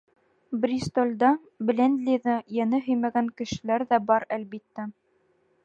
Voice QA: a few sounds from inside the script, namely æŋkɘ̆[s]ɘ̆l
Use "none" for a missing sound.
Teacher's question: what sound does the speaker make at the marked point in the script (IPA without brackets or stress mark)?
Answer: ʃ